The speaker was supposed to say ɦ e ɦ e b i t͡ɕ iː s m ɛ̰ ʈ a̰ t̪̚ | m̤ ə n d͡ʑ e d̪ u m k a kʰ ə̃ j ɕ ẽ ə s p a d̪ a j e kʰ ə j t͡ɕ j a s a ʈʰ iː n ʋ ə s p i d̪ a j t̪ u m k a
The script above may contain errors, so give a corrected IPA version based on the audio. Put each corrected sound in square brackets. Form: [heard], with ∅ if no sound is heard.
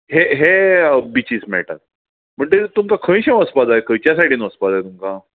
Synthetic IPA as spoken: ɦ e ɦ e b i t͡ɕ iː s m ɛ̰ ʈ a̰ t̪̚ | m̤ ə [ɳ] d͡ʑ e [t̪] u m k a kʰ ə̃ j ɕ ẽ ə s p a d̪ a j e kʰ ə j t͡ɕ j a s a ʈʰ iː n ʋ ə s p [a] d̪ a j t̪ u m k a